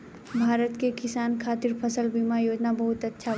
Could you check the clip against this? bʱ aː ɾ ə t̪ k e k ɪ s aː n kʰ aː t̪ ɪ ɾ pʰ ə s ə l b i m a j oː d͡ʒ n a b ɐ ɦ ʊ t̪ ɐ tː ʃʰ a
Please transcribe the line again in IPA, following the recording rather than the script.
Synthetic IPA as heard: bʱ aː ɾ ə t̪ k e k ɪ s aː n kʰ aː t̪ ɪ ɾ pʰ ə s ə l b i m a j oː d͡ʒ n a b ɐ ɦ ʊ t̪ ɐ tː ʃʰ a